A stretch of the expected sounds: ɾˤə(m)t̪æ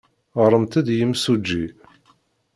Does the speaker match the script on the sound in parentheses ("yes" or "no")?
yes